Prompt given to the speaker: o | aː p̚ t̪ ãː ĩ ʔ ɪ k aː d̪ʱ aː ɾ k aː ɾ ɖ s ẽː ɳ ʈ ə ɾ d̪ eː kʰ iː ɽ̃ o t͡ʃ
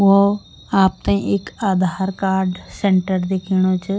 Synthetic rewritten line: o | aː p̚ t̪ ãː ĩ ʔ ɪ k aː d̪ʱ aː ɾ k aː ɾ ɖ s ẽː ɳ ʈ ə ɾ d̪ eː kʰ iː ɽ̃ o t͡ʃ